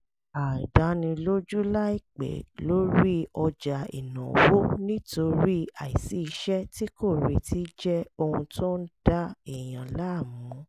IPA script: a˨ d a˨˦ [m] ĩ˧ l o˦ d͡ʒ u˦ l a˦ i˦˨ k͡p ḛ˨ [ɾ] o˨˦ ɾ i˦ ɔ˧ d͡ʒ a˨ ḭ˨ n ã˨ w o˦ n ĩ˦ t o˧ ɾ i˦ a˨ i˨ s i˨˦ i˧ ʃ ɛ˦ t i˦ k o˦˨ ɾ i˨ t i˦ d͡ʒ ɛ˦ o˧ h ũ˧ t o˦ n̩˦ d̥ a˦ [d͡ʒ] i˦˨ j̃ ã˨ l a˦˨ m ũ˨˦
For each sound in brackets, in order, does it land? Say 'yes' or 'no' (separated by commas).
no, no, no